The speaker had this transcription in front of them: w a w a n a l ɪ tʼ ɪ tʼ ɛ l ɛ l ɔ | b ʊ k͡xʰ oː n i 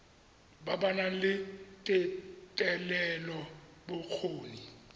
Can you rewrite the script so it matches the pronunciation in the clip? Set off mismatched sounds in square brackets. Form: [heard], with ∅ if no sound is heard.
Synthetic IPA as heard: [b] a [b] a n a l ɪ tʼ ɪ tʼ ɛ l ɛ l ɔ | b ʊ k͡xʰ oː n i